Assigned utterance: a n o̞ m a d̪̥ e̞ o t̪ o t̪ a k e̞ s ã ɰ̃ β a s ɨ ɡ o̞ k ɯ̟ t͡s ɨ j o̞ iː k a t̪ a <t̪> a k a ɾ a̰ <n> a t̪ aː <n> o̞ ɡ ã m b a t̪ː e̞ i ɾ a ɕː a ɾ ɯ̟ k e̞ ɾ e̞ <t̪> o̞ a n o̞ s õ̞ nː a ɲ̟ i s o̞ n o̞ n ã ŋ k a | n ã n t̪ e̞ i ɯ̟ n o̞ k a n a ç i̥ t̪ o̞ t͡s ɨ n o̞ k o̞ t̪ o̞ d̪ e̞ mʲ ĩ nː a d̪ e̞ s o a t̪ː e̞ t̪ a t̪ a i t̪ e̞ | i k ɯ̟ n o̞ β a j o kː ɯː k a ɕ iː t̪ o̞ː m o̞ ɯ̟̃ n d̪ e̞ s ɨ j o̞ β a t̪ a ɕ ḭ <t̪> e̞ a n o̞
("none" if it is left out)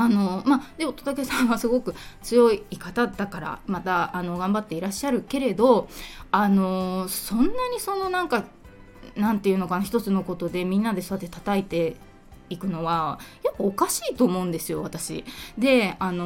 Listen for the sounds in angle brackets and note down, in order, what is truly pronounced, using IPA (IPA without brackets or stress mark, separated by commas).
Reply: d̪, m, n, d̪, d̪